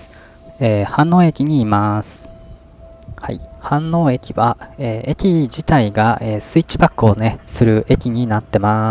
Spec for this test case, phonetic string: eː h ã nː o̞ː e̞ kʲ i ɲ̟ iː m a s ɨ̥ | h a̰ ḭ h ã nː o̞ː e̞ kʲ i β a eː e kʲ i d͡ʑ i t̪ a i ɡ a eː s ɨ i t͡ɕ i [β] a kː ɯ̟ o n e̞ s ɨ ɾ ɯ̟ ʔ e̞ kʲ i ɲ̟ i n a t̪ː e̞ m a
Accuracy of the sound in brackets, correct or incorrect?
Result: incorrect: b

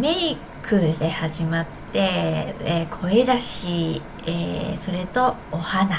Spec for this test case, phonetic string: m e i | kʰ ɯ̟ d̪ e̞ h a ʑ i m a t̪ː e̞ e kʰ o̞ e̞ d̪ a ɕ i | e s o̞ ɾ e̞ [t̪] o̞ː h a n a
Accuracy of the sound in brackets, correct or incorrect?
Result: correct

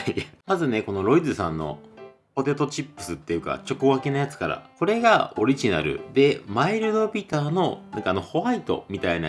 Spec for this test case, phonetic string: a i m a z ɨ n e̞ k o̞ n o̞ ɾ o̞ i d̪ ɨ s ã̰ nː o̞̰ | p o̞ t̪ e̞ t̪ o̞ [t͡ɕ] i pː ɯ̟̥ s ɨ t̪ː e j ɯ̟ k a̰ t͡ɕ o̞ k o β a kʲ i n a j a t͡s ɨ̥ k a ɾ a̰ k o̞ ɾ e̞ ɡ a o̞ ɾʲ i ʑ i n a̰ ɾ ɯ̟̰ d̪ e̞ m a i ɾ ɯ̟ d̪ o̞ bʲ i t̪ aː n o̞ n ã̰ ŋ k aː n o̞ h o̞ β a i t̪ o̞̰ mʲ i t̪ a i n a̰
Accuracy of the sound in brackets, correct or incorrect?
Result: correct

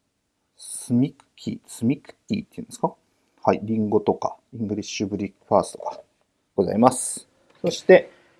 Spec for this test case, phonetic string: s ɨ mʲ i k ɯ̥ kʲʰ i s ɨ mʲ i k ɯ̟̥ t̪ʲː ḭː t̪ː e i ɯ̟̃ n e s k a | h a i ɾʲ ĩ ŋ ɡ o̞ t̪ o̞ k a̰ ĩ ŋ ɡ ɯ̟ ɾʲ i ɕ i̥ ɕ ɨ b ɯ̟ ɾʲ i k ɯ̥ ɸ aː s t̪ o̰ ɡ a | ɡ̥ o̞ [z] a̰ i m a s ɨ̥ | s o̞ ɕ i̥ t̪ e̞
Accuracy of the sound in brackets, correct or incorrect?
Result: correct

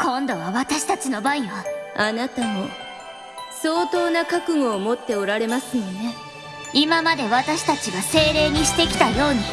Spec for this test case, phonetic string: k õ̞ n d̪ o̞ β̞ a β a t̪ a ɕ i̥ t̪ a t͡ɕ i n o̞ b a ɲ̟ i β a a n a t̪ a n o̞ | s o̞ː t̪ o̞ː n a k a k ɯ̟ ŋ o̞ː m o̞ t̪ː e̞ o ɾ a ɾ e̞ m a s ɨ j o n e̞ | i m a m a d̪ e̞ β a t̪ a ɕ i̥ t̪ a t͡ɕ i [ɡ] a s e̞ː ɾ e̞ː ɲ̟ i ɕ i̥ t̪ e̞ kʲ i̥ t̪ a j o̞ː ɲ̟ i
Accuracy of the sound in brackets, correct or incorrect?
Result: correct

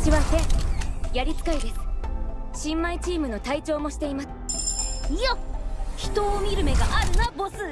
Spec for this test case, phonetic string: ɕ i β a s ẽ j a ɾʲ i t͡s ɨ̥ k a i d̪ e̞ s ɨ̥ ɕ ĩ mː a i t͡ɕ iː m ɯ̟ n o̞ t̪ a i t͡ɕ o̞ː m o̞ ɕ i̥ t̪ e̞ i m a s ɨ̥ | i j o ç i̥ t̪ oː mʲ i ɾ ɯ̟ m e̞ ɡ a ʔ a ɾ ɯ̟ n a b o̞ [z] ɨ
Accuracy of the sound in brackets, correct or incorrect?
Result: incorrect: s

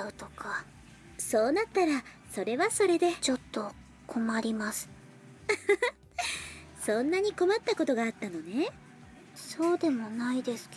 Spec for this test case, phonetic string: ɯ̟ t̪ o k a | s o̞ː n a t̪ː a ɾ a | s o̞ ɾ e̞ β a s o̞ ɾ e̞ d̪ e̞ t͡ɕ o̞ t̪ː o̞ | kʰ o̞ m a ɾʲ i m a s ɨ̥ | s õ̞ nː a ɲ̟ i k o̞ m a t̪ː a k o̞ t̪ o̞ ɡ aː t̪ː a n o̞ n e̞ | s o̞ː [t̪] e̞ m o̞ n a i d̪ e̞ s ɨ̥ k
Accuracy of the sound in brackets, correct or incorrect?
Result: incorrect: d̪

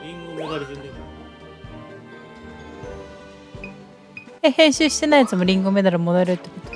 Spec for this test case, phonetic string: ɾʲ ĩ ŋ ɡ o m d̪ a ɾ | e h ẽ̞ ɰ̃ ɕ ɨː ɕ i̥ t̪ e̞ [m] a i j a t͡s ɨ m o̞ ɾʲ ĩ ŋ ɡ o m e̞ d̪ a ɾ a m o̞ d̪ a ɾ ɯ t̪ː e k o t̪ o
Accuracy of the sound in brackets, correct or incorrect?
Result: incorrect: n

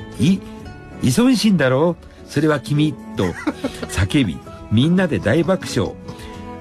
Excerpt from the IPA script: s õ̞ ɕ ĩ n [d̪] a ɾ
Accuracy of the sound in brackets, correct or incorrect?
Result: correct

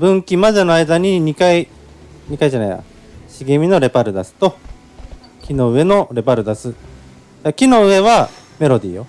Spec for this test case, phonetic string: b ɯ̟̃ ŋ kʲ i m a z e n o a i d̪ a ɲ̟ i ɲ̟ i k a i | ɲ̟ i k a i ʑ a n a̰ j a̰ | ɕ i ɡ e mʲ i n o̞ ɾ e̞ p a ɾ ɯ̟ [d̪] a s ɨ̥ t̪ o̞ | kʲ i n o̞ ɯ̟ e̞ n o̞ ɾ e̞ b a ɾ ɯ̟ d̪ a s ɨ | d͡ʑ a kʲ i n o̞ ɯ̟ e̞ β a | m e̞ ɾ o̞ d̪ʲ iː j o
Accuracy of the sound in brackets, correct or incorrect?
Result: correct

